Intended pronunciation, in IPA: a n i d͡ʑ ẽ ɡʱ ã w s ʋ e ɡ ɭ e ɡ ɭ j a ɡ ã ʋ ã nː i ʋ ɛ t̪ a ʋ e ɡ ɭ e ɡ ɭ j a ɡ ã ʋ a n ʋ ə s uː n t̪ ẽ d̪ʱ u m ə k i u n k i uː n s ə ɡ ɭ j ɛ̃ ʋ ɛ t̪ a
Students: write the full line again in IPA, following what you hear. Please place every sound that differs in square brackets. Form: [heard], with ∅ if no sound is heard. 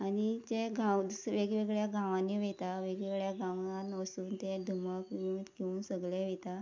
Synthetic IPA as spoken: a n i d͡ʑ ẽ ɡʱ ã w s ʋ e ɡ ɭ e ɡ ɭ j a ɡ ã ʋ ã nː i ʋ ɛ t̪ a ʋ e ɡ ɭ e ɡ ɭ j a ɡ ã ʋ a n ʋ ə s uː n t̪ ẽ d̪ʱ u m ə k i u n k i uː n s ə ɡ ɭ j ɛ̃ ʋ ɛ t̪ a